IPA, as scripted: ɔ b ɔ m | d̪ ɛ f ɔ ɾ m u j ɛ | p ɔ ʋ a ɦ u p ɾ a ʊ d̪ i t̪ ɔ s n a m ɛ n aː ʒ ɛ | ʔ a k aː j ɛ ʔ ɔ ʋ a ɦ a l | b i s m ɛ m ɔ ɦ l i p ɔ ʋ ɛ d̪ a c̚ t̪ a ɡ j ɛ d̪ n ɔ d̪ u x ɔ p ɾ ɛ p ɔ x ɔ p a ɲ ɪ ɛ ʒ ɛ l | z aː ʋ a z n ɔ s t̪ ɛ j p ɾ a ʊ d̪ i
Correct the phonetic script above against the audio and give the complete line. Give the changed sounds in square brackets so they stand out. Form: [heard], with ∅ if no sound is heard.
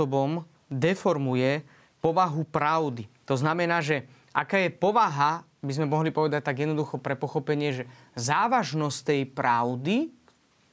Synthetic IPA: ɔ b ɔ m | d̪ ɛ f ɔ ɾ m u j ɛ | p ɔ ʋ a ɦ u p ɾ a ʊ d̪ i t̪ ɔ [z] n a m ɛ n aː ʒ ɛ | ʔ a k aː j ɛ [p] ɔ ʋ a ɦ a [∅] | b i [z] m ɛ m ɔ ɦ l i p ɔ ʋ ɛ d̪ a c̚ t̪ a ɡ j ɛ d̪ n ɔ d̪ u x ɔ p ɾ ɛ p ɔ x ɔ p [ɛ] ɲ ɪ ɛ ʒ ɛ [∅] | z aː ʋ a [ʒ] n ɔ s t̪ ɛ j p ɾ a ʊ d̪ i